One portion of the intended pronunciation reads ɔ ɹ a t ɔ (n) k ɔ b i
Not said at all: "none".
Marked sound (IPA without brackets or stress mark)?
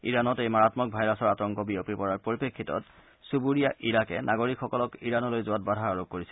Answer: ŋ